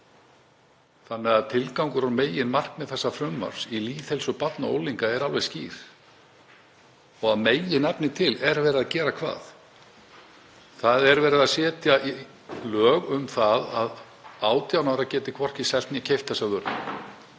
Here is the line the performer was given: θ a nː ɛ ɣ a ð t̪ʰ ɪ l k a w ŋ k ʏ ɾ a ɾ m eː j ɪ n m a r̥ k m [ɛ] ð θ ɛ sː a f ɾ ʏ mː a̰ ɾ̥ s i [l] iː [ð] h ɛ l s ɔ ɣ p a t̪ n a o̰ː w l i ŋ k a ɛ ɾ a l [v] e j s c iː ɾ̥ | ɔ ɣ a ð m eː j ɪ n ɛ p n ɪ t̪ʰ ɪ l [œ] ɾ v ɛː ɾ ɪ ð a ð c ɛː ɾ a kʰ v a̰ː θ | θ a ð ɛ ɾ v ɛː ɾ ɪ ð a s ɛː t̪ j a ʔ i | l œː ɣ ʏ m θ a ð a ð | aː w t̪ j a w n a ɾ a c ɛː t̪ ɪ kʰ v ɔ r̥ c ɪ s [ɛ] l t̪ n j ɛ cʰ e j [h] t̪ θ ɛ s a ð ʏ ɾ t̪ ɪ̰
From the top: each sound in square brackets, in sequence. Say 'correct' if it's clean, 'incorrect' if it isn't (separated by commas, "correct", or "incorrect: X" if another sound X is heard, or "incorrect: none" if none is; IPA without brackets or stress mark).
correct, correct, incorrect: θ, correct, incorrect: ɛ, correct, incorrect: f